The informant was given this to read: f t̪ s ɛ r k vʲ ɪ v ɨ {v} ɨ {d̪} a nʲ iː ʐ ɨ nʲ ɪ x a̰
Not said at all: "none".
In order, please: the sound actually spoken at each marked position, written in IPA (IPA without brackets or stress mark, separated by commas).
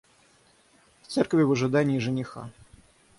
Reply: ʐ, d̪